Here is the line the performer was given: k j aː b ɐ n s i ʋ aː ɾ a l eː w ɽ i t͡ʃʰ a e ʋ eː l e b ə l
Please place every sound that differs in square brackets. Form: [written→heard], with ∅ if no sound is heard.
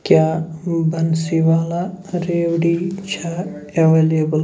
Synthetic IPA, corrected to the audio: k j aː b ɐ n s i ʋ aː [ɾ→l] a [l→ɾ] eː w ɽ i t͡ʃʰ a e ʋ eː l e b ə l